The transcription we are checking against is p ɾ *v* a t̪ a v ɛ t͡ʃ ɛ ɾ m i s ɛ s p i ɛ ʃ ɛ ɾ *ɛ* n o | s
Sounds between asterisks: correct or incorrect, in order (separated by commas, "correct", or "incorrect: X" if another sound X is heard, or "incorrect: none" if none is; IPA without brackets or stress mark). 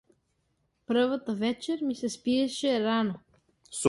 correct, incorrect: a